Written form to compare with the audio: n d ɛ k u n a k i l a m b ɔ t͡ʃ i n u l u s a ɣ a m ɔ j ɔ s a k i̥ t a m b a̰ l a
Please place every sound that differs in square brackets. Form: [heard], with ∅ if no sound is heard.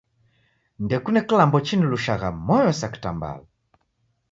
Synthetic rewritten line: n d ɛ k u n [ɛ] k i l a m b ɔ t͡ʃ i n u l u [ʃ] a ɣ a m ɔ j ɔ s a k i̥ t a m b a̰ l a